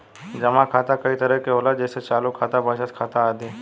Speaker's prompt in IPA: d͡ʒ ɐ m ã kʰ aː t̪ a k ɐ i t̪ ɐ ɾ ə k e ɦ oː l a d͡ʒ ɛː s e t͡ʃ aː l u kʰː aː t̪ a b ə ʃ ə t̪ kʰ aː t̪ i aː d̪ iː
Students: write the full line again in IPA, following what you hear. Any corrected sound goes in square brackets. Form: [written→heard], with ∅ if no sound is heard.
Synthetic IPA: d͡ʒ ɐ m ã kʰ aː t̪ a k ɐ i t̪ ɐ ɾ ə k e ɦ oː l a d͡ʒ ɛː s e t͡ʃ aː l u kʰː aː t̪ a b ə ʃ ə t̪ kʰ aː t̪ [i→a] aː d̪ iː

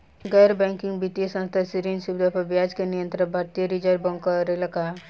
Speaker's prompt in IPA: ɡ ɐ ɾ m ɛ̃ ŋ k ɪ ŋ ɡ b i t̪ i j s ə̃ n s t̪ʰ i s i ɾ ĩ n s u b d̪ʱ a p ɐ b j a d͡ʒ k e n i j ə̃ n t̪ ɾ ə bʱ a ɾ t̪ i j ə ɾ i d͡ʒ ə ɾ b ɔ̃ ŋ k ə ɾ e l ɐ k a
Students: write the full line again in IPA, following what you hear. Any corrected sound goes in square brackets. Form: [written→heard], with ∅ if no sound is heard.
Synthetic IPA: ɡ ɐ ɾ [m→b] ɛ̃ ŋ k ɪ ŋ ɡ b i t̪ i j s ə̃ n s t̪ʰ [i→a] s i ɾ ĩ n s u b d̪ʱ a p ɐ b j a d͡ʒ k e n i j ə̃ n t̪ ɾ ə bʱ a ɾ t̪ i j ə ɾ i d͡ʒ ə ɾ b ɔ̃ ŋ k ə ɾ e l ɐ k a

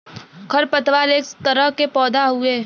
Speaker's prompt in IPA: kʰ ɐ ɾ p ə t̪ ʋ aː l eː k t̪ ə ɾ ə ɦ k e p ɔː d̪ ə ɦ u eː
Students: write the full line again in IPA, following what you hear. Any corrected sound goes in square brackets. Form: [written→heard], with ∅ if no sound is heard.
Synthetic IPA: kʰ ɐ ɾ p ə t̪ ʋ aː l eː k t̪ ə ɾ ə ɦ k e p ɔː d̪ [ə→a] ɦ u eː

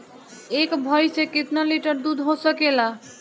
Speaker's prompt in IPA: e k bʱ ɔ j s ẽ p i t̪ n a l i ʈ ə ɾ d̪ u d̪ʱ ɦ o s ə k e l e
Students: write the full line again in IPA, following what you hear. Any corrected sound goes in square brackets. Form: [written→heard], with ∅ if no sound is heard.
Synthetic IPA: e k bʱ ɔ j s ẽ [p→k] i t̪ n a l i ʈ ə ɾ d̪ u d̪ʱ ɦ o s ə k e l [e→a]

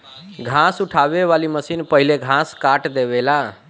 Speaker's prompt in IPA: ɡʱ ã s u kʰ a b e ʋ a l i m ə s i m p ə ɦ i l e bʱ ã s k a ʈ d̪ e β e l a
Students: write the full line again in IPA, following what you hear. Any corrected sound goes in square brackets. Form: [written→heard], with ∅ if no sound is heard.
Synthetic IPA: ɡʱ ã s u [kʰ→ʈʰ] a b e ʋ a l i m ə s i [m→n] p ə ɦ i l e [bʱ→ɡʱ] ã s k a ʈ d̪ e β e l a

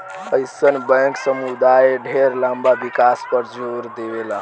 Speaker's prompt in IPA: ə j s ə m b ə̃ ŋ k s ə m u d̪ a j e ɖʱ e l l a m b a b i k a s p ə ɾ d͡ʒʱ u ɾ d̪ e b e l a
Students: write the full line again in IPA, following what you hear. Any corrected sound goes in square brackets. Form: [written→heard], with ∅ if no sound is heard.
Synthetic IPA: ə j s ə [m→n] b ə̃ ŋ k s ə m u d̪ a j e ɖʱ e [l→ɾ] l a m b a b i k a s p ə ɾ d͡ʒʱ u ɾ d̪ e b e l a

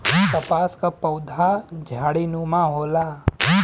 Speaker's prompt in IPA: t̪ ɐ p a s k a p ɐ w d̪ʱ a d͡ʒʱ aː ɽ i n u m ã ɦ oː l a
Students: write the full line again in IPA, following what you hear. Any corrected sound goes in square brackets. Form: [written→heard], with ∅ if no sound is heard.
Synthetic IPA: t̪ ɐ p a s k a p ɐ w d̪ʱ a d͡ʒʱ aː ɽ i n u m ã ɦ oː l a

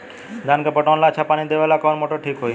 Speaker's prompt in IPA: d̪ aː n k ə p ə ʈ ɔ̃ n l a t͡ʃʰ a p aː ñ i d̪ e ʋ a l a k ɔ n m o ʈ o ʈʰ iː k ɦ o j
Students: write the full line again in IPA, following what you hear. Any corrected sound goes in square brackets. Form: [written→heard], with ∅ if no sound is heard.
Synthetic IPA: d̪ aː n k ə p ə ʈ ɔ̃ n l a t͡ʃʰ a p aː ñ i d̪ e ʋ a l a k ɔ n m o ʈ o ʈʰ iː k ɦ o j

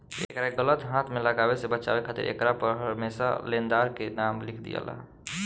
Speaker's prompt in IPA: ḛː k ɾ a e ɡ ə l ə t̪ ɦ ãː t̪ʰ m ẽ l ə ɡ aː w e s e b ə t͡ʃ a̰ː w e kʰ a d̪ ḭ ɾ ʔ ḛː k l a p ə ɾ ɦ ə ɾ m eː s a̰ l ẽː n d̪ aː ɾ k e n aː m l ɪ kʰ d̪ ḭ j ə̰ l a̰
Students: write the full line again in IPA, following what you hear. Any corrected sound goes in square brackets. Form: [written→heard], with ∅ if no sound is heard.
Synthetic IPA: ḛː k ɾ a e ɡ ə l ə t̪ ɦ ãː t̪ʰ m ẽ l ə ɡ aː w e s e b ə t͡ʃ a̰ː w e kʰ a [d̪→t̪] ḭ ɾ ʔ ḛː k [l→ɾ] a p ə ɾ ɦ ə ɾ m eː s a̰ l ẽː n d̪ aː ɾ k e n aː m l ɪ kʰ d̪ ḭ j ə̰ l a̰

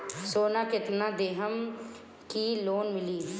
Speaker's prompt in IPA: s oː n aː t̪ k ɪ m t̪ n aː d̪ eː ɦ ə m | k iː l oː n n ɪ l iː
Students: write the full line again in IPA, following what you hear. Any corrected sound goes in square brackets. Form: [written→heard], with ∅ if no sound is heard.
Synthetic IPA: s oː n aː [t̪→∅] k ɪ [m→∅] t̪ n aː d̪ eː ɦ ə m | k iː l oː n [n→m] ɪ l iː

